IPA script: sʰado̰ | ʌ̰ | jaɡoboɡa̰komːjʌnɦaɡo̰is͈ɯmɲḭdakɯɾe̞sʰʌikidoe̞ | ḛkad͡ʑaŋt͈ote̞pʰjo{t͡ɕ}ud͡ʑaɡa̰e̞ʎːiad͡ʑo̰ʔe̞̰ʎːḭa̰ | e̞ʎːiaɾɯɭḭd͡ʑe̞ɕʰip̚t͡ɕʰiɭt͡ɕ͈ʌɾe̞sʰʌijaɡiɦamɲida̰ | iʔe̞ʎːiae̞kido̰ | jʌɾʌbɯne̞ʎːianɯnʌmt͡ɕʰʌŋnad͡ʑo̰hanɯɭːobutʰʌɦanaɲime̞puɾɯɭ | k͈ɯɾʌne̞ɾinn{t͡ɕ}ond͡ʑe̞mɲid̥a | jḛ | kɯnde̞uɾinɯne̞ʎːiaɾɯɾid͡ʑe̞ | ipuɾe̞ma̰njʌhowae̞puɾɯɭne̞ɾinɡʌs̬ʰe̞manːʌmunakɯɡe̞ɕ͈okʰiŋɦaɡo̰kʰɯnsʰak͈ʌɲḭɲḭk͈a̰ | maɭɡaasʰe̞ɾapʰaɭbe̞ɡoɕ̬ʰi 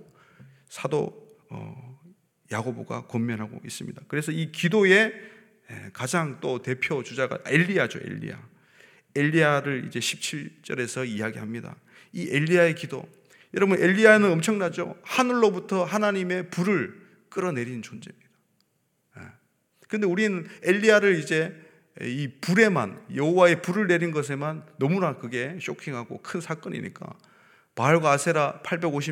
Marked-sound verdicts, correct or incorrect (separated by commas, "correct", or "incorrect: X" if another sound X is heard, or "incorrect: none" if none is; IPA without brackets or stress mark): correct, correct